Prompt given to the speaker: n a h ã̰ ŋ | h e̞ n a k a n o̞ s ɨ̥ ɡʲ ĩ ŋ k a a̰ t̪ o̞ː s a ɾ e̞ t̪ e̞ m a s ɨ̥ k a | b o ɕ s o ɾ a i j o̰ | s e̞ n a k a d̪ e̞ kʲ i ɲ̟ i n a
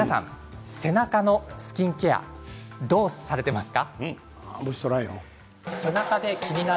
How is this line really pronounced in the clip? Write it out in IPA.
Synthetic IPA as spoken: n a s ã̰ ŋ | s e̞ n a k a n o̞ s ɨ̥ kʲ ĩ ŋ k e a̰ d̪ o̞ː s a ɾ e̞ t̪ e̞ m a s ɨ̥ k a | b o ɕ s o ɾ a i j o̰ | s e̞ n a k a d̪ e̞ kʲ i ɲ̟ i n a

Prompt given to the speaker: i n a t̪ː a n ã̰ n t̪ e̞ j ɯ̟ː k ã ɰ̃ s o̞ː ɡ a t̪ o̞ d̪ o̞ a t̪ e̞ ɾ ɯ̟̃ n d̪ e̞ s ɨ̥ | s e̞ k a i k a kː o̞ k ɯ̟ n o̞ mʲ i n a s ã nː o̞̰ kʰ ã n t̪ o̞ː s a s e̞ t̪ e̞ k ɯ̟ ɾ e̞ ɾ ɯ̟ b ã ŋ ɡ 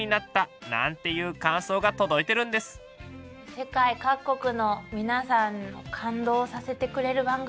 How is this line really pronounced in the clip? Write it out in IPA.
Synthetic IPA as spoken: i n a t̪ː a n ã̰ n t̪ e̞ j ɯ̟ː k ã ɰ̃ s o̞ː ɡ a t̪ o̞ d̪ o̞ i t̪ e̞ ɾ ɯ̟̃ n d̪ e̞ s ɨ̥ | s e̞ k a i k a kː o̞ k ɯ̟ n o̞ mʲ i n a s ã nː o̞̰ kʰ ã n d̪ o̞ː s a s e̞ t̪ e̞ k ɯ̟ ɾ e̞ ɾ ɯ̟ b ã ŋ ɡ

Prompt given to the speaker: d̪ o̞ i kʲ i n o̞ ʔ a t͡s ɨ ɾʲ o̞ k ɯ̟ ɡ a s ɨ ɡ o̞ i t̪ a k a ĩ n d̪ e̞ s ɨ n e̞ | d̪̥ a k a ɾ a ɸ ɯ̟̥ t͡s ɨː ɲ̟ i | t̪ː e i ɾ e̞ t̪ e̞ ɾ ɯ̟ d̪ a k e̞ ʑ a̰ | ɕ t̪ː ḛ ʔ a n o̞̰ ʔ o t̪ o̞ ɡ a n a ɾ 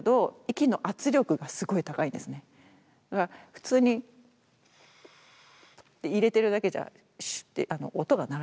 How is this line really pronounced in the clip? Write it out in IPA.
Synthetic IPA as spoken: d̪ o̞ i kʲ i n o̞ ʔ a t͡s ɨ ɾʲ o̞ k ɯ̟ ɡ a s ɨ ɡ o̞ i t̪ a k a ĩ n d̪ e̞ s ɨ n e̞ | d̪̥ a k a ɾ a ɸ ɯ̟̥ t͡s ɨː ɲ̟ i | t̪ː e i ɾ e̞ t̪ e̞ ɾ ɯ̟ d̪ a k e̞ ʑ a̰ | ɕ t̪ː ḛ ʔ a n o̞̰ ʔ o t̪ o̞ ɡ a n a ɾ

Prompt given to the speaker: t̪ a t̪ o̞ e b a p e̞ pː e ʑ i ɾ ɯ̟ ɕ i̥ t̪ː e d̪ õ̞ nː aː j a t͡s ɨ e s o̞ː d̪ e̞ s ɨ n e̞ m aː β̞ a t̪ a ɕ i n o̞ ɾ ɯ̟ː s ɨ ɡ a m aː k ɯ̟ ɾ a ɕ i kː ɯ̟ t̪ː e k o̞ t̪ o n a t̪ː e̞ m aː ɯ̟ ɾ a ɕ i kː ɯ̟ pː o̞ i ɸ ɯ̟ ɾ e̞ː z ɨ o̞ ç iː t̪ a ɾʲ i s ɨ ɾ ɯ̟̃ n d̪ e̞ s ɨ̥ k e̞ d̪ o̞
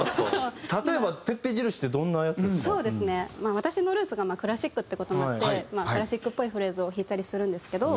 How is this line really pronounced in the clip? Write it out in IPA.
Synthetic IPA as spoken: t̪ a t̪ o̞ e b a p e̞ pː e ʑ i ɾ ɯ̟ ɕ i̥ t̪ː e d̪ õ̞ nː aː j a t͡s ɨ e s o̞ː d̪ e̞ s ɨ n e̞ m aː β̞ a t̪ a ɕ i n o̞ ɾ ɯ̟ː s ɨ ɡ a m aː k ɯ̟ ɾ a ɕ i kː ɯ̟ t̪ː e k o̞ t̪ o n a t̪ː e̞ m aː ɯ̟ ɾ a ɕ i kː ɯ̟ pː o̞ i ɸ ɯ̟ ɾ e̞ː z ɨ o̞ ç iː t̪ a ɾʲ i s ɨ ɾ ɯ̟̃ n d̪ e̞ s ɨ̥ k e̞ d̪ o̞

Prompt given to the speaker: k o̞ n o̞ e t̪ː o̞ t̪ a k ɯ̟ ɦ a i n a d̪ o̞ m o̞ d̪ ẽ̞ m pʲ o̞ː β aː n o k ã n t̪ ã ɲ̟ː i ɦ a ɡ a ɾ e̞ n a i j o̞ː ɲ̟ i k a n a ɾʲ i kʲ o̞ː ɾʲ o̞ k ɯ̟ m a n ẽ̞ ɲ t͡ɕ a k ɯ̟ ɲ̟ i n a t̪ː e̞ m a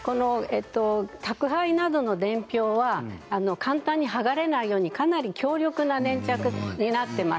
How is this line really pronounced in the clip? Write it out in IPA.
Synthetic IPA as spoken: k o̞ n o̞ e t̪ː o̞ t̪ a k ɯ̟ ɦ a i n a d̪ o̞ n o̞ d̪ ẽ̞ m pʲ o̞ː β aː n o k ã n t̪ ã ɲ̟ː i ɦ a ɡ a ɾ e̞ n a i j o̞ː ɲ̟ i k a n a ɾʲ i kʲ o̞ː ɾʲ o̞ k ɯ̟ n a n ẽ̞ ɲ t͡ɕ a k ɯ̟ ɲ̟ i n a t̪ː e̞ m a

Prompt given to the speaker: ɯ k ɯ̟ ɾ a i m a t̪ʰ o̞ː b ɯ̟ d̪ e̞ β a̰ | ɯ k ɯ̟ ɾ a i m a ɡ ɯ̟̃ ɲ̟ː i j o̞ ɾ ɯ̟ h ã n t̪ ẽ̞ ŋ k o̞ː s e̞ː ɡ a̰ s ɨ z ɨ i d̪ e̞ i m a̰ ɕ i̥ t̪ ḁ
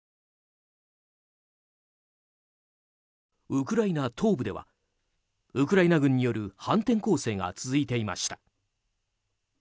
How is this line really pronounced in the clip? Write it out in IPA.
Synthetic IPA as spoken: ɯ k ɯ̟ ɾ a i n a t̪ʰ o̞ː b ɯ̟ d̪ e̞ β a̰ | ɯ k ɯ̟ ɾ a i n a ɡ ɯ̟̃ ɲ̟ː i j o̞ ɾ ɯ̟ h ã n t̪ ẽ̞ ŋ k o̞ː s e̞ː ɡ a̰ t͡s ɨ z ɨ i t̪ e̞ i m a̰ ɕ i̥ t̪ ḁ

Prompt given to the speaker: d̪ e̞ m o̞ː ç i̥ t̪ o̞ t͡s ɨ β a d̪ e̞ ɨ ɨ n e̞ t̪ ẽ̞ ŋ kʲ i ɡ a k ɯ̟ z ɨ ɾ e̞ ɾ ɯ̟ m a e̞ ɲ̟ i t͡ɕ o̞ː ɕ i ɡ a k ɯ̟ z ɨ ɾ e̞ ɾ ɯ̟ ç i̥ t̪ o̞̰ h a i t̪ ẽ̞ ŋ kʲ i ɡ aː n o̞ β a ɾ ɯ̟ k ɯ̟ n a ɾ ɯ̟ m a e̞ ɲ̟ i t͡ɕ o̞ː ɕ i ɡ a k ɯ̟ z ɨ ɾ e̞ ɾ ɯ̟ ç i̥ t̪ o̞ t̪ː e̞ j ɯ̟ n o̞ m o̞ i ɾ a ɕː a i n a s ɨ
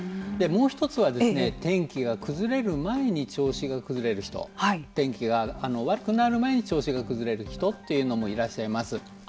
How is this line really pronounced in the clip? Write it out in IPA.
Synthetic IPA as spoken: d̪ e̞ m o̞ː ç i̥ t̪ o̞ t͡s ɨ β a d̪ e̞ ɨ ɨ n e̞ t̪ ẽ̞ ŋ kʲ i ɡ a k ɯ̟ z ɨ ɾ e̞ ɾ ɯ̟ m a e̞ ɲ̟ i t͡ɕ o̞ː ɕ i ɡ a k ɯ̟ z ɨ ɾ e̞ ɾ ɯ̟ ç i̥ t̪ o̞̰ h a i t̪ ẽ̞ ŋ kʲ i ɡ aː n o̞ β a ɾ ɯ̟ k ɯ̟ n a ɾ ɯ̟ m a e̞ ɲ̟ i t͡ɕ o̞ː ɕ i ɡ a k ɯ̟ z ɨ ɾ e̞ ɾ ɯ̟ ç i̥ t̪ o̞ t̪ː e̞ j ɯ̟ n o̞ m o̞ i ɾ a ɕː a i m a s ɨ

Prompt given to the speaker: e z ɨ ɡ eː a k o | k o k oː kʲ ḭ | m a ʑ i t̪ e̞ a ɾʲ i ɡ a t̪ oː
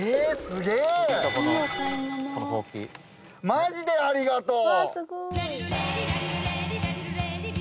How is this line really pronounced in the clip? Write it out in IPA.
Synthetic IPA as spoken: e s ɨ ɡ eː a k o | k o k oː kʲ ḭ | m a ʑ i d̪ e̞ a ɾʲ i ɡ a t̪ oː

